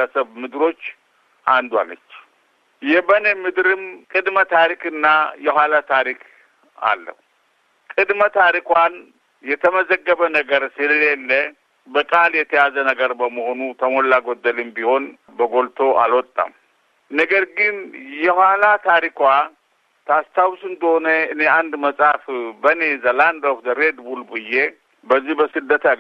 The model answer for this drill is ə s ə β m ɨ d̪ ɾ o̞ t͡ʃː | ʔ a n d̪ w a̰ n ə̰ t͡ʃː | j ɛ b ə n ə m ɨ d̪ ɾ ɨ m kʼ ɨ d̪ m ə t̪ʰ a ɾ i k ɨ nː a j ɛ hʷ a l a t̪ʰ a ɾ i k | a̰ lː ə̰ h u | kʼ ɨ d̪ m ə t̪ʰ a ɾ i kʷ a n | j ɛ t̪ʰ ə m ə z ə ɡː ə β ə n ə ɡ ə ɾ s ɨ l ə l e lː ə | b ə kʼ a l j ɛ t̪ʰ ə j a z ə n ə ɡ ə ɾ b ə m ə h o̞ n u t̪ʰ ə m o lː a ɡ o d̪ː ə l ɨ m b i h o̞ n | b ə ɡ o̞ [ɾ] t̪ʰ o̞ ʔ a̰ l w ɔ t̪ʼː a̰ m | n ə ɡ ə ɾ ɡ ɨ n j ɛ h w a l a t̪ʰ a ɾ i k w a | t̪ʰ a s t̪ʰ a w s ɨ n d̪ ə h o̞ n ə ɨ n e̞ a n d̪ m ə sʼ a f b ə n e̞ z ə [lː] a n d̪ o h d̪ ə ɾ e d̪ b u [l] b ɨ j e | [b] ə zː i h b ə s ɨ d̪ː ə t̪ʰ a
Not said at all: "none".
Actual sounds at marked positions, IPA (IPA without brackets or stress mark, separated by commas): l, l, l, b